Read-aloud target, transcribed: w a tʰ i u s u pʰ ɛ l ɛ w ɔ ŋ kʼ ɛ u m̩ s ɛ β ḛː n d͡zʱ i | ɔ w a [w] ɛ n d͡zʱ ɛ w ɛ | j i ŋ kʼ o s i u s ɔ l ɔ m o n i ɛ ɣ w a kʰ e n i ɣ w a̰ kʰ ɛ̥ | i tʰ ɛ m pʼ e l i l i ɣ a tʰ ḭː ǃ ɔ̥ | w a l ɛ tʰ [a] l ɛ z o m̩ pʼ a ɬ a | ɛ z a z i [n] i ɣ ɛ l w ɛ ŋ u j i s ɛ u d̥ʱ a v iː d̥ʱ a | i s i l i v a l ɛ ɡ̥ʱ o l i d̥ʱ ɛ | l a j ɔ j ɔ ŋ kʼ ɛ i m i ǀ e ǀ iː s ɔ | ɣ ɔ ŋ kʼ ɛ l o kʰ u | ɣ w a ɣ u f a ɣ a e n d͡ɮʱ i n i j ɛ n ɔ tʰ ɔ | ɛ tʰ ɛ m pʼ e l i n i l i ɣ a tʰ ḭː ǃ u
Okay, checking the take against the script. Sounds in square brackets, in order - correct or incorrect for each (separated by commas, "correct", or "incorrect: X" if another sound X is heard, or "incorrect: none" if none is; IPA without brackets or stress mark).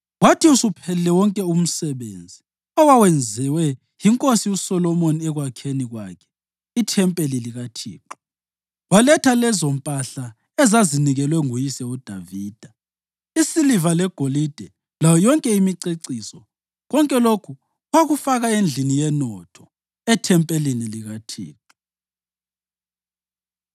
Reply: correct, correct, correct